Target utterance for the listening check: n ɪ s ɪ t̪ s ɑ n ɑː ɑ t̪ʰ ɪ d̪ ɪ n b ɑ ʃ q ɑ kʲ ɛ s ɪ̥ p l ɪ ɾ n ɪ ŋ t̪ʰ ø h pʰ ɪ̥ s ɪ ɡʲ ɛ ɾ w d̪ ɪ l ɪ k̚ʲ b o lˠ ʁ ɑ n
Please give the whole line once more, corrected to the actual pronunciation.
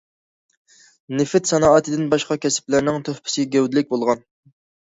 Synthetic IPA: n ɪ f ɪ t̪ s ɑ n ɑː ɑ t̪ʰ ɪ d̪ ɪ n b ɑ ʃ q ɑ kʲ ɛ s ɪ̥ p l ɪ ɾ n ɪ ŋ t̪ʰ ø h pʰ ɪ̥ s ɪ ɡʲ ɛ w d̪ ɪ l ɪ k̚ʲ b o lˠ ʁ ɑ n